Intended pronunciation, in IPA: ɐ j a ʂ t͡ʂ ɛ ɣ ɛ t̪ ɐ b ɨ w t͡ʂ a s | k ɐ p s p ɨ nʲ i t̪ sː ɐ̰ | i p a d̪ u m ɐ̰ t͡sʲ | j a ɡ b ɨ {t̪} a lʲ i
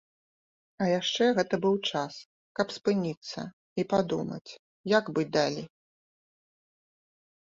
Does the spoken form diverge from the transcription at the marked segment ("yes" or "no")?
yes